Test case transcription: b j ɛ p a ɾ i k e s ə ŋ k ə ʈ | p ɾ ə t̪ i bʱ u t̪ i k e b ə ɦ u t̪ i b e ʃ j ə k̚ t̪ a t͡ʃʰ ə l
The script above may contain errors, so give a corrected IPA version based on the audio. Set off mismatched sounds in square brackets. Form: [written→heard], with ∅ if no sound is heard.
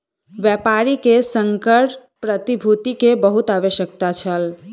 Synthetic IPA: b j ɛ p a ɾ i k e s ə ŋ k ə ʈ | p ɾ ə t̪ i bʱ u t̪ i k e b ə ɦ u t̪ [i→a] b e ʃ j ə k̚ t̪ a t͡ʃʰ ə l